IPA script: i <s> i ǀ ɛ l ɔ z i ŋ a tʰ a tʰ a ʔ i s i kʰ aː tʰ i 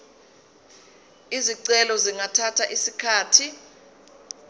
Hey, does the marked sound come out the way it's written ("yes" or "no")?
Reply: no